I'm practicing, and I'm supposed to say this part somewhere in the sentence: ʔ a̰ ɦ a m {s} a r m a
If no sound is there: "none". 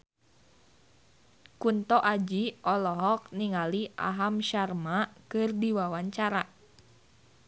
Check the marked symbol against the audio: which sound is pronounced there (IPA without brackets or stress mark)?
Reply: ʃ